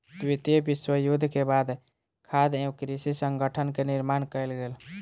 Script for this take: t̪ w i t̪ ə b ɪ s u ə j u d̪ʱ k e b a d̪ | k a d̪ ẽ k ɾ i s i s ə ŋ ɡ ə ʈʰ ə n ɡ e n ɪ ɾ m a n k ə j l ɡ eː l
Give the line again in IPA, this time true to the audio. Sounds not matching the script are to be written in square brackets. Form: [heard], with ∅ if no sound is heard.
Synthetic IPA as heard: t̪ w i t̪ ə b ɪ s [w] ə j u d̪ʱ k e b a d̪ | [kʰ] a d̪ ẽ k ɾ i s i s ə ŋ ɡ ə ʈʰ ə n [k] e n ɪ ɾ m a n k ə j l ɡ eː l